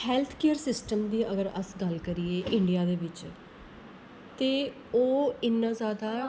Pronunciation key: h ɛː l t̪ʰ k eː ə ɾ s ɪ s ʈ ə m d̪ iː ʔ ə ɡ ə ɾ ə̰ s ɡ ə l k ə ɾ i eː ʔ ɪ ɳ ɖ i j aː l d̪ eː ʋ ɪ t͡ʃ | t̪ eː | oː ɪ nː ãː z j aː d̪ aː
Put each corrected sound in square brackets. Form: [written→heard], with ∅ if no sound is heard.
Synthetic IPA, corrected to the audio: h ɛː l t̪ʰ k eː ə ɾ s ɪ s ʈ ə m d̪ iː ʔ ə ɡ ə ɾ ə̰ s ɡ ə l k ə ɾ i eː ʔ ɪ ɳ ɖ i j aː [l→∅] d̪ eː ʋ ɪ t͡ʃ | t̪ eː | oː ɪ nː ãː z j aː d̪ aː

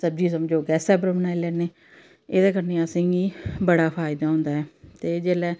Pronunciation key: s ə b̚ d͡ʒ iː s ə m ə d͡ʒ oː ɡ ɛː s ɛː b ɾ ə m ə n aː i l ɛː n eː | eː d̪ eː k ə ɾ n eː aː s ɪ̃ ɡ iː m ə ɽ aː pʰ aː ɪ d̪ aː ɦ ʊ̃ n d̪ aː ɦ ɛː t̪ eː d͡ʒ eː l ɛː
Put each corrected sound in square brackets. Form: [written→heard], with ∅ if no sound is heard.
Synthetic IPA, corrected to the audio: s ə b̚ d͡ʒ iː s ə m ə d͡ʒ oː ɡ ɛː s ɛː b ɾ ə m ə n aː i l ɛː n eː | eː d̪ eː k ə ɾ n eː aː s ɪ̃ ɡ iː [m→b] ə ɽ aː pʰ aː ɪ d̪ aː ɦ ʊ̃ n d̪ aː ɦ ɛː t̪ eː d͡ʒ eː l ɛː

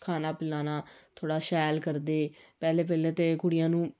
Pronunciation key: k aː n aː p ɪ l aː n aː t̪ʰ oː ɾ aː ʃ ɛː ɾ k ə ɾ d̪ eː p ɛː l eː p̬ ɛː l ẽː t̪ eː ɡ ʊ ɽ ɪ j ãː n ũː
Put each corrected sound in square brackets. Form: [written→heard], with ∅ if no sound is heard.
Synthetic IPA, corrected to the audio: [k→kʰ] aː n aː p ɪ l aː n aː t̪ʰ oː [ɾ→ɽ] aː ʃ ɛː [ɾ→l] k ə ɾ d̪ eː p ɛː l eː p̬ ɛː l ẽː t̪ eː [ɡ→k] ʊ ɽ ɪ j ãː n ũː

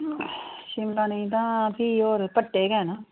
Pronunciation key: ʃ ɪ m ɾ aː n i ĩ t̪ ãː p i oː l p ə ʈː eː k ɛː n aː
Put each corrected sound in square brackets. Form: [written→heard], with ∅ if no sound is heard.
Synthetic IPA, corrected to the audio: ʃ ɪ m [ɾ→l] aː n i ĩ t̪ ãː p i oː [l→ɾ] p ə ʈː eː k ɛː n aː

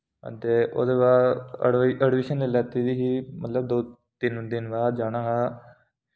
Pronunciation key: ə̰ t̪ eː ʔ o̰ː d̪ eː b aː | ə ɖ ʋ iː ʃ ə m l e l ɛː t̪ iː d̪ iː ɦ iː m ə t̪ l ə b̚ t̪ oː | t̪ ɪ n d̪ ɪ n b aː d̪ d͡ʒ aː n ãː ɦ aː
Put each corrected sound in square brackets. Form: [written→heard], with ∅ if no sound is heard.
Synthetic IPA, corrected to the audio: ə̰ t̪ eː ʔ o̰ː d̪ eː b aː | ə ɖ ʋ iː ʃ ə [m→n] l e l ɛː t̪ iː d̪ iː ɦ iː m ə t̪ l ə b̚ [t̪→d̪] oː | t̪ ɪ n d̪ ɪ n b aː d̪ d͡ʒ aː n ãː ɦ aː

